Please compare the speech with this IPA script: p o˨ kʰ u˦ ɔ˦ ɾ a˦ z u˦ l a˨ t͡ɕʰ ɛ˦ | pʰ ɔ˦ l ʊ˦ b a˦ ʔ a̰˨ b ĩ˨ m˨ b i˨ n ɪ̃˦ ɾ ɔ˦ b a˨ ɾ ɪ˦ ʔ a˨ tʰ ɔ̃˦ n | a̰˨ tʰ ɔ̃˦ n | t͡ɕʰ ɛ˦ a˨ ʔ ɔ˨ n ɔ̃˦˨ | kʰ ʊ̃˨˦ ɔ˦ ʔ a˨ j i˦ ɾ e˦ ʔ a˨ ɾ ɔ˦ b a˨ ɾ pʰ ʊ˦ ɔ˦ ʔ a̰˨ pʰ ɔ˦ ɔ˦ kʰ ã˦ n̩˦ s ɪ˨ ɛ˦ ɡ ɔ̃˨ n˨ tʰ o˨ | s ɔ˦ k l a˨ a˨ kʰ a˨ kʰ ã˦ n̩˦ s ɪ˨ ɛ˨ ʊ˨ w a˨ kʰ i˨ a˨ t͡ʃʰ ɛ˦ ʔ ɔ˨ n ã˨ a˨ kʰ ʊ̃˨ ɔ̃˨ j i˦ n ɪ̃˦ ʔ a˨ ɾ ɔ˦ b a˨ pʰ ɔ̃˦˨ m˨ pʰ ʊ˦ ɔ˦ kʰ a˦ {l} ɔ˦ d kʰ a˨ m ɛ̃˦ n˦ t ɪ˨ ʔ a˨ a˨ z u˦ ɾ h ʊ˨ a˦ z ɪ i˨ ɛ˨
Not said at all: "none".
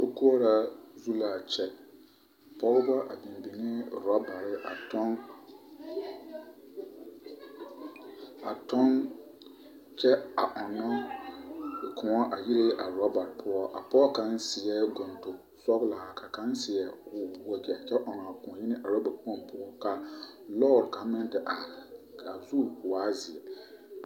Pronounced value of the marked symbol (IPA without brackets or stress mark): l